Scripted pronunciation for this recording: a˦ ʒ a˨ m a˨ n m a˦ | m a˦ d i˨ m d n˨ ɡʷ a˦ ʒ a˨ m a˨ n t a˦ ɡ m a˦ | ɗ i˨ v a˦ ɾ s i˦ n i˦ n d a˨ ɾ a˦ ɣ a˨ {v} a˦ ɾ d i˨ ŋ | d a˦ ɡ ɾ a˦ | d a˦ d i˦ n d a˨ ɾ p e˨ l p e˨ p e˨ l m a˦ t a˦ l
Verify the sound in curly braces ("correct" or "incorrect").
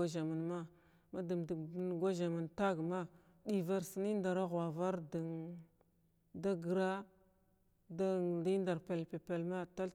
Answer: correct